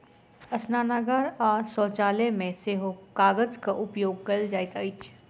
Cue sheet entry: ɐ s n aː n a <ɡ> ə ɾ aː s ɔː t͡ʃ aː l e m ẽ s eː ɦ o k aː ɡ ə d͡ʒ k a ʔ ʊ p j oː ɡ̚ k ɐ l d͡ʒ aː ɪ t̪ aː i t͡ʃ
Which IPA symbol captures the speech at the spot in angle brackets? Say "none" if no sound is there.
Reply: ɡ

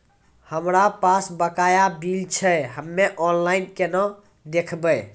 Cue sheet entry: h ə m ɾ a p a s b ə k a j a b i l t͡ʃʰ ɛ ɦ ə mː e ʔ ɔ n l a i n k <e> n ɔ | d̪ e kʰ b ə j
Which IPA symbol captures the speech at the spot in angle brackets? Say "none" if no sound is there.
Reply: e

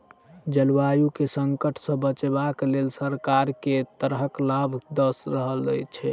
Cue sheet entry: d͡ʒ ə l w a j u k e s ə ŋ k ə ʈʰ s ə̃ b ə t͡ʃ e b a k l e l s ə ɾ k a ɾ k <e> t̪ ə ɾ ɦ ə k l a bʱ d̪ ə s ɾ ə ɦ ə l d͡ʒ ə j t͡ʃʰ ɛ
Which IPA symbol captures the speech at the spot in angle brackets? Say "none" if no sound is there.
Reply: e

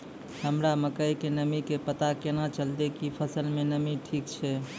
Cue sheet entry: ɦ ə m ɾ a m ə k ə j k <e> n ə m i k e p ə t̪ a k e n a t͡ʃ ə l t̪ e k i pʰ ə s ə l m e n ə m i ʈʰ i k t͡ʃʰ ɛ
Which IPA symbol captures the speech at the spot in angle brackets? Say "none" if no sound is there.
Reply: e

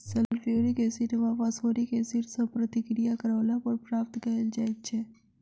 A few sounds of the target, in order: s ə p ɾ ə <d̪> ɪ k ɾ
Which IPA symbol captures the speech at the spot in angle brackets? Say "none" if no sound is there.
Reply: t̪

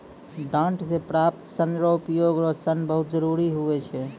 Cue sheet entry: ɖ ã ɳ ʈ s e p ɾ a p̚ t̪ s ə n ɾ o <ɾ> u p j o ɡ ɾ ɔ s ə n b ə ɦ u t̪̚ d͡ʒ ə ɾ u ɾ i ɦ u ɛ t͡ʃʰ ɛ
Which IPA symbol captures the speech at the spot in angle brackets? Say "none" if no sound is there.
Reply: none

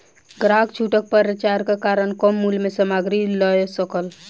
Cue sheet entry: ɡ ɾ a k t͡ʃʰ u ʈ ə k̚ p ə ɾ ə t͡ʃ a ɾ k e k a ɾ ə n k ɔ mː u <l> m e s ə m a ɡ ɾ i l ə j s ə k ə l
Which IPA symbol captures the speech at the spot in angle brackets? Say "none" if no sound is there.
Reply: l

